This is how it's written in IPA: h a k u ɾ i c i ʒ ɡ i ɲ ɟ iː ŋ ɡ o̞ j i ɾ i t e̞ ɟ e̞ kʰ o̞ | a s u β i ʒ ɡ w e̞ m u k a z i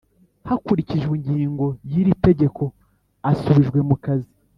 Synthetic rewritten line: h a k u ɾ i c i ʒ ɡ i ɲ ɟ iː ŋ ɡ o̞ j i ɾ i t e̞ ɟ e̞ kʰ o̞ | a s u β i ʒ ɡ w e̞ m u k a z i